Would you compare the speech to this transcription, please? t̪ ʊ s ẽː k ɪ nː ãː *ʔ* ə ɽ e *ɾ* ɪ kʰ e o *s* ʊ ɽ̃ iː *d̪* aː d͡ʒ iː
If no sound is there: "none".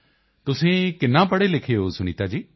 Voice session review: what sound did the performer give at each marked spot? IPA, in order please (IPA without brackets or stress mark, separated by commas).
p, l, s, t̪